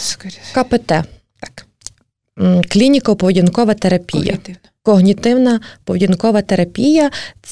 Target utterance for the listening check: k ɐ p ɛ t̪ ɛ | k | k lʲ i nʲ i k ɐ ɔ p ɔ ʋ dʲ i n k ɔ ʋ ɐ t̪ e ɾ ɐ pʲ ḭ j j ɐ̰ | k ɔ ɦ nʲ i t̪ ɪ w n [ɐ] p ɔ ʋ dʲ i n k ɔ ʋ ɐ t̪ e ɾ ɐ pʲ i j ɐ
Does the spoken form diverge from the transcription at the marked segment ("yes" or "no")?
no